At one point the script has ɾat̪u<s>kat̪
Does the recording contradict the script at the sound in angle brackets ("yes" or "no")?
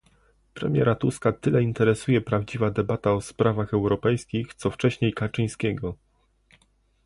no